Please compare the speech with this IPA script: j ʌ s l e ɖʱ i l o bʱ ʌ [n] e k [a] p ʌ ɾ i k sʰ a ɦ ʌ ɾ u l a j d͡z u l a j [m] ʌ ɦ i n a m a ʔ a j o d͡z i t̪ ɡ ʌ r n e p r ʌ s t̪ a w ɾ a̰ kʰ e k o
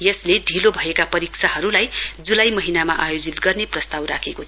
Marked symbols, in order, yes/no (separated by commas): no, yes, yes